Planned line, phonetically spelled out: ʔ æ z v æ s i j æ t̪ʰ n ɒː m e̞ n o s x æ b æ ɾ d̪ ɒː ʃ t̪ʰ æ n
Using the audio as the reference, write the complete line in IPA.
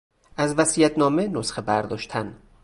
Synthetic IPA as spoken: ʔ æ z v æ s i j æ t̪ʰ n ɒː m e̞ n o s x e b æ ɾ d̪ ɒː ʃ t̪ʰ æ n